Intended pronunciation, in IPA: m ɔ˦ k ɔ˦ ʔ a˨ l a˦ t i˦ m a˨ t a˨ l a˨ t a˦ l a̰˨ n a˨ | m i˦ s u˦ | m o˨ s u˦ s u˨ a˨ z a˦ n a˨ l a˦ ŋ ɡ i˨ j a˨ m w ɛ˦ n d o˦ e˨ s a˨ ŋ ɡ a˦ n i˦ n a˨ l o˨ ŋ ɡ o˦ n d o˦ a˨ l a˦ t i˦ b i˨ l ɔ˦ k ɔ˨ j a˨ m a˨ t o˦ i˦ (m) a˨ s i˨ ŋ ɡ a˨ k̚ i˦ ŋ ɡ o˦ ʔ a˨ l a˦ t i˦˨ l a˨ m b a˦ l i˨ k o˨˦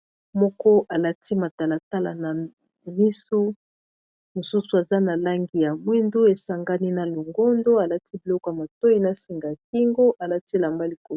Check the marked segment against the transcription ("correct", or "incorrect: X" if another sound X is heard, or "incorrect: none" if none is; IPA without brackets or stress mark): incorrect: n